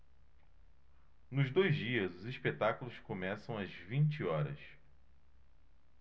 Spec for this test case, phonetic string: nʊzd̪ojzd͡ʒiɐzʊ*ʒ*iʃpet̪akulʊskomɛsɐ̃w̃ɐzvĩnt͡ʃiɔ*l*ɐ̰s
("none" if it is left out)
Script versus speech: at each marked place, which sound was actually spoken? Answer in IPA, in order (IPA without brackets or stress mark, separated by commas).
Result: z, ɾ